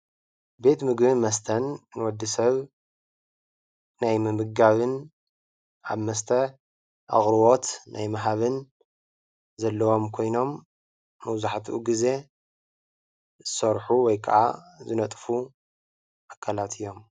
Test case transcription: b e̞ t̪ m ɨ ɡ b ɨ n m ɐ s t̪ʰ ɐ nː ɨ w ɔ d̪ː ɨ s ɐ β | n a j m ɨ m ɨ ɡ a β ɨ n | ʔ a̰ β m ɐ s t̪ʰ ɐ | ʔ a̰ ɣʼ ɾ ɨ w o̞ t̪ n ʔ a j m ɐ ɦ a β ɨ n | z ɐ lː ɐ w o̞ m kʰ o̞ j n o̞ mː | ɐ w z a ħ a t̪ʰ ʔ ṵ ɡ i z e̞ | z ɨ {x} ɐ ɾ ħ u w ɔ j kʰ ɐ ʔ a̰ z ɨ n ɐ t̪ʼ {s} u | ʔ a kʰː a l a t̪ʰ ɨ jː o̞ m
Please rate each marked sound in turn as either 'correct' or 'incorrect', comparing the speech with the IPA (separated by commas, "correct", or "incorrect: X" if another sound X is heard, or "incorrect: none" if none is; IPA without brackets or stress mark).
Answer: incorrect: s, incorrect: f